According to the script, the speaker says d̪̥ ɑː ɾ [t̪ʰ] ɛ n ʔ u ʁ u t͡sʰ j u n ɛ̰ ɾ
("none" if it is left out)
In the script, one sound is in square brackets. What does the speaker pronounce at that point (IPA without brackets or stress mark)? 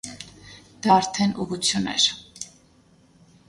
t̪ʰ